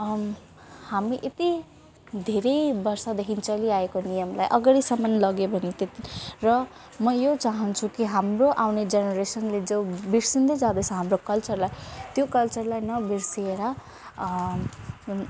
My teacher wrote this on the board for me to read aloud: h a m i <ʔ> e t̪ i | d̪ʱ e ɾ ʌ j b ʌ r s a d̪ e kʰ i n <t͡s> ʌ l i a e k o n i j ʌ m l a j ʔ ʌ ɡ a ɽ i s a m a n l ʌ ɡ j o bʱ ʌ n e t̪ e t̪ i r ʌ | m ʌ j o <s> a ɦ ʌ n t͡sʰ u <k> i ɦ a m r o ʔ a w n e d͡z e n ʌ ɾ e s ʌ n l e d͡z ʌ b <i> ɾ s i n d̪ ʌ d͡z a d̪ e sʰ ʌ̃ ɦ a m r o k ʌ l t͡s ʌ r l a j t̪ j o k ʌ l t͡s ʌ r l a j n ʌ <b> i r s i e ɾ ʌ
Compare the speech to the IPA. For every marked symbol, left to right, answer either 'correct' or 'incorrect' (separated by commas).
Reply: correct, correct, incorrect, correct, correct, correct